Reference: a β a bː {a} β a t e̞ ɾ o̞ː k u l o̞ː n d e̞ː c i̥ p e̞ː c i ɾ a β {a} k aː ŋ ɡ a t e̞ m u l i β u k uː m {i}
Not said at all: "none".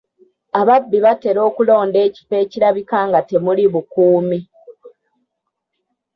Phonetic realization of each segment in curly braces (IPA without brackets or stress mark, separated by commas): i, i, i